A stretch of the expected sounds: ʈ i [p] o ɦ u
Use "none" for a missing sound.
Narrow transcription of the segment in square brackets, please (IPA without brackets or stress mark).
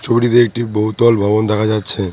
b